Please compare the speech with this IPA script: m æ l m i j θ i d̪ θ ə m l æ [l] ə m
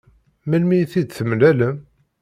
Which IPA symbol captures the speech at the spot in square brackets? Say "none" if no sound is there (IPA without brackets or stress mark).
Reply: l